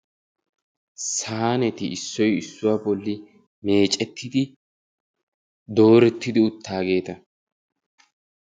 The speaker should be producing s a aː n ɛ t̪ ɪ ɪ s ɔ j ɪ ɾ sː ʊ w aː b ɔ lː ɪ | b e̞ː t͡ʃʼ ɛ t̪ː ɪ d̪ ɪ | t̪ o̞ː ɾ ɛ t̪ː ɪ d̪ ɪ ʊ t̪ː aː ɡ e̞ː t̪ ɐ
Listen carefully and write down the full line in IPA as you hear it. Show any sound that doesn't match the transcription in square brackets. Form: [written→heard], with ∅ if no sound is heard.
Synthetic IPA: s a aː n ɛ t̪ ɪ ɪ [s→sː] ɔ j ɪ [ɾ→∅] sː ʊ w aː b ɔ lː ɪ | [b→m] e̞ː t͡ʃʼ ɛ t̪ː ɪ d̪ ɪ | [t̪→d̪] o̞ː ɾ ɛ t̪ː ɪ d̪ ɪ ʊ t̪ː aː ɡ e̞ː t̪ ɐ